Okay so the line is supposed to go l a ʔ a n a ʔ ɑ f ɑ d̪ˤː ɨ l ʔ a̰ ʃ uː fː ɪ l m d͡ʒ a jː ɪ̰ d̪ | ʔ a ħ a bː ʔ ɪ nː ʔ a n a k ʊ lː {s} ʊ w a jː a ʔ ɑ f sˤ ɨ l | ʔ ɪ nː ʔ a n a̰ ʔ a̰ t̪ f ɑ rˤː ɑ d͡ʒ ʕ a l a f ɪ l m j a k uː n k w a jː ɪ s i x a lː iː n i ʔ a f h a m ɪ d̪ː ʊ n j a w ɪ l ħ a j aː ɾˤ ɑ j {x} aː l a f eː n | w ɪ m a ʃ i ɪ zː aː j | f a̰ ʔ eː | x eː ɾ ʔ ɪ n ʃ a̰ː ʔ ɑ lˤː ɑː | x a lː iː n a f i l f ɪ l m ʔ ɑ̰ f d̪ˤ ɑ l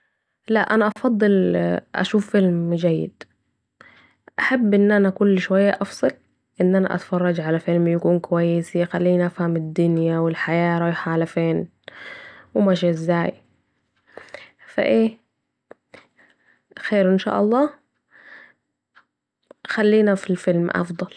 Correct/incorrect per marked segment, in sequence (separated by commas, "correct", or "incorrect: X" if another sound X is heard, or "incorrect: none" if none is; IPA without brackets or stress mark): incorrect: ʃ, incorrect: ħ